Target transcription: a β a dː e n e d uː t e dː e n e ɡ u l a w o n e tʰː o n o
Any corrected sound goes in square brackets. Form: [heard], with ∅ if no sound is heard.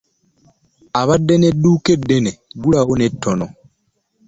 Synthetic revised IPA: a β a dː e n e d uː [k] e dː e n e ɡ u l a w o n e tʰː o n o